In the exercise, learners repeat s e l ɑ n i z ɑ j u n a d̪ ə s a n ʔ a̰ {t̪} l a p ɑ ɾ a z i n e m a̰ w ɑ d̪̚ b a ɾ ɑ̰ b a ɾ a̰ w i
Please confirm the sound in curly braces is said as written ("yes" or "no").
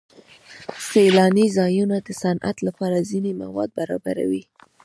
yes